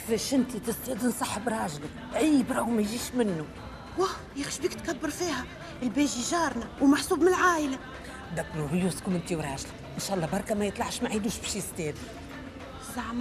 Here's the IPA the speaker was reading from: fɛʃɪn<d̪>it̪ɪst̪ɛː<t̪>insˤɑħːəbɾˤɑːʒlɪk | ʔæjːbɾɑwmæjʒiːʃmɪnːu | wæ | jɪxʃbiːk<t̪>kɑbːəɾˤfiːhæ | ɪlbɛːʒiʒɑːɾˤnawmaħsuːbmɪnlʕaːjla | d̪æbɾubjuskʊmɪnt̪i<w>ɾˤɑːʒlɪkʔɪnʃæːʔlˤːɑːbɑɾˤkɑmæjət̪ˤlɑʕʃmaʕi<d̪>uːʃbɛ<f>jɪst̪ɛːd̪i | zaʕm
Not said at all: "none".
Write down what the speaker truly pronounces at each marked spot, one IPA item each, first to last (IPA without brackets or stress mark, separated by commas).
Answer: t̪, d̪, t̪, w, d̪, ʃ